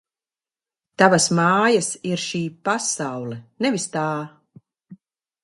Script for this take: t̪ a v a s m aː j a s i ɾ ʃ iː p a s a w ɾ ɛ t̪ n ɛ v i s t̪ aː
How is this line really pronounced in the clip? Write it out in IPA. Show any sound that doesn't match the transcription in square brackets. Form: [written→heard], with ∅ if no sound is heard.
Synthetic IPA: t̪ a v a s m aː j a s i ɾ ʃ iː p a s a w [ɾ→l] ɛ [t̪→∅] n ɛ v i s t̪ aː